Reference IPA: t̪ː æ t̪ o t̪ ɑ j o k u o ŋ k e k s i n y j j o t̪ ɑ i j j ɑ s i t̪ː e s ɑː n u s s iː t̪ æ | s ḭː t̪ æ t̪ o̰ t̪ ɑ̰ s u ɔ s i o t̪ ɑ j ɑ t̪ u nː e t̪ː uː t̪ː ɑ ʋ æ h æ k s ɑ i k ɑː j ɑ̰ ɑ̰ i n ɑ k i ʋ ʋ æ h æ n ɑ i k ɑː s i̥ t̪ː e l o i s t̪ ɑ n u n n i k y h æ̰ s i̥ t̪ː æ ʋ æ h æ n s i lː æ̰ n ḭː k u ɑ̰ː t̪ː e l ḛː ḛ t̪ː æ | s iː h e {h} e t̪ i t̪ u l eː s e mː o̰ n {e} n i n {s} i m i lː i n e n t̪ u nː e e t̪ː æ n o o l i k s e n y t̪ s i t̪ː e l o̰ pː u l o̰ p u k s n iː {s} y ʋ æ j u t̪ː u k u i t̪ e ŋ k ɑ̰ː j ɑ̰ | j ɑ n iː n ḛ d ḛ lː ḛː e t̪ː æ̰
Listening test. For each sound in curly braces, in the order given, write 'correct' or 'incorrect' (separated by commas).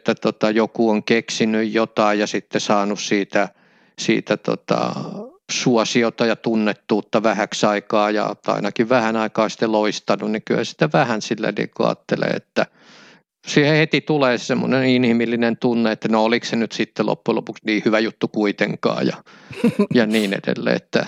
correct, correct, incorrect, incorrect